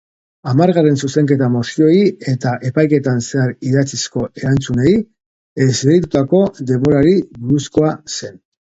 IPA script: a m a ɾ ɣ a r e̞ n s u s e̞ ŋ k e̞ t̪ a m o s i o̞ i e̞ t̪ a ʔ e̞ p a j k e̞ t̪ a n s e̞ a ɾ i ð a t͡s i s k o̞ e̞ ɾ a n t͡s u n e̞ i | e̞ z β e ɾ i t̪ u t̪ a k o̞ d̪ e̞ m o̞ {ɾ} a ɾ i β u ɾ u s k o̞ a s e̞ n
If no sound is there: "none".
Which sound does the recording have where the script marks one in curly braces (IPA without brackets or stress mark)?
ɾ